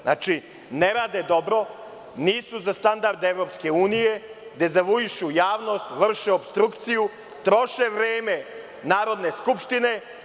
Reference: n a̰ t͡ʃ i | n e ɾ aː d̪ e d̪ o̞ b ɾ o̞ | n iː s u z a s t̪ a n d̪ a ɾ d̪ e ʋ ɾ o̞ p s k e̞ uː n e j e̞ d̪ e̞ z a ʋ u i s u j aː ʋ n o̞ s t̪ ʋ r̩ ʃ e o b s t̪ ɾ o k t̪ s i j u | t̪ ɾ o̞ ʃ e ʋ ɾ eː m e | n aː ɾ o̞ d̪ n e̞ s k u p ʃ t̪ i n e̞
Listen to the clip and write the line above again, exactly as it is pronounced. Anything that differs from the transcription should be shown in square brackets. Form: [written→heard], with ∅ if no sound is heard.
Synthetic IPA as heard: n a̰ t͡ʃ i | n e ɾ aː d̪ e d̪ o̞ b ɾ o̞ | n iː s u z a s t̪ a n d̪ a ɾ d̪ e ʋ ɾ o̞ p s k e̞ uː n [e→i] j e̞ d̪ e̞ z a ʋ u i [s→ʃ] u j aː ʋ n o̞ s t̪ ʋ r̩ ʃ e o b s t̪ ɾ [o→u] k t̪ s i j u | t̪ ɾ o̞ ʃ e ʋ ɾ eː m e | n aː ɾ o̞ d̪ n e̞ s k u p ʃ t̪ i n e̞